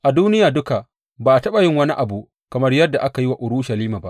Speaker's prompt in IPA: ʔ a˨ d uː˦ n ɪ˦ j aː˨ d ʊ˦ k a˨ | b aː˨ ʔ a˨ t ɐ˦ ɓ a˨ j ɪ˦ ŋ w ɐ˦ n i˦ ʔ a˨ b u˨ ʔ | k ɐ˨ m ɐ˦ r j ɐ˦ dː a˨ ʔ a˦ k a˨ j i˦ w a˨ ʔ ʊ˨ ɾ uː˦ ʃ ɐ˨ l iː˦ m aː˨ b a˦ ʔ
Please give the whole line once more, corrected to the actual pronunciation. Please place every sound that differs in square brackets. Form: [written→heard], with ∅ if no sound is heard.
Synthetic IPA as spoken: ʔ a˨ d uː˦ n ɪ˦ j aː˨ d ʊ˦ k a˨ | b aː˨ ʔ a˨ t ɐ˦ ɓ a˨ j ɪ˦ ŋ w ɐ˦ n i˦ ʔ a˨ b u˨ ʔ | k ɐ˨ m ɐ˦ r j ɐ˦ dː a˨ ʔ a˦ k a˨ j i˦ w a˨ ʔ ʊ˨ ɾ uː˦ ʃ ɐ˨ l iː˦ m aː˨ b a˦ ʔ